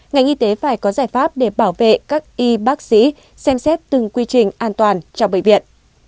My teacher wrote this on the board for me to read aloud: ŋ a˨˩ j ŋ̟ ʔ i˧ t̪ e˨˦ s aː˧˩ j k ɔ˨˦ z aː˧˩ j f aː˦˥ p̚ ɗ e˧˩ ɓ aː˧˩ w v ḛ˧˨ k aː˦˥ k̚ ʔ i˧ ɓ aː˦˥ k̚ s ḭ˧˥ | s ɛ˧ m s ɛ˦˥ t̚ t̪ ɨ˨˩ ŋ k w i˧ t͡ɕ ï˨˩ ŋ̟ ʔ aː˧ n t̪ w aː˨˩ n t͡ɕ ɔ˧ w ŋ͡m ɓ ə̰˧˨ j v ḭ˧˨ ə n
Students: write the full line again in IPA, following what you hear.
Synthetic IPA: ŋ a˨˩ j ŋ̟ ʔ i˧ t̪ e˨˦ f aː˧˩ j k ɔ˨˦ z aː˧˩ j f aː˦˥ p̚ ɗ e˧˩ ɓ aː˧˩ w v ḛ˧˨ k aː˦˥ k̚ ʔ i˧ ɓ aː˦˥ k̚ s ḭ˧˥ | s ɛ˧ m s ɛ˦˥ t̚ t̪ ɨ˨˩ ŋ k w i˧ t͡ɕ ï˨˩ ŋ̟ ʔ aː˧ n t̪ w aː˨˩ n t͡ɕ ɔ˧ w ŋ͡m ɓ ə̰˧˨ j v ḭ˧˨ ə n